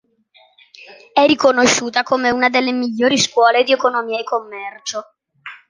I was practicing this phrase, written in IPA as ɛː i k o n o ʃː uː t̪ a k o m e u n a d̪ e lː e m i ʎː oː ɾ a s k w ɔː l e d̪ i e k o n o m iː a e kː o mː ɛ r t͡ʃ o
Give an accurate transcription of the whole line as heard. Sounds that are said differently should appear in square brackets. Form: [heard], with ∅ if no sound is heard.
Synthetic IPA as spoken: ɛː i k o n o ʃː uː t̪ a k o m e u n a d̪ e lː e m i ʎː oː ɾ [i] s k w ɔː l e d̪ i e k o n o m iː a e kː o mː ɛ r t͡ʃ o